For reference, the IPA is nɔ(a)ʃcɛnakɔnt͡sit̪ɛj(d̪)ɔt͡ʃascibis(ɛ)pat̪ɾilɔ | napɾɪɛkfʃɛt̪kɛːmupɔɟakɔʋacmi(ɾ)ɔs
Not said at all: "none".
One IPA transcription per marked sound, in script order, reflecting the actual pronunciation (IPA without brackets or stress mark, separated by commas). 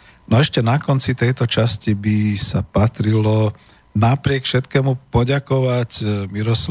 ɛ, t̪, a, ɾ